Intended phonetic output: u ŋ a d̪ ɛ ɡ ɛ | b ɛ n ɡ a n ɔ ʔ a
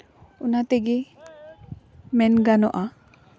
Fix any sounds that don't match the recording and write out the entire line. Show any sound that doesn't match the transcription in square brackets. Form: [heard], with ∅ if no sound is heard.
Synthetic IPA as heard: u [n] a [t̪] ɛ ɡ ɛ | [m] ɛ n ɡ a n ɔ ʔ a